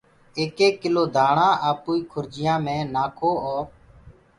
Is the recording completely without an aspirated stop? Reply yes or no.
no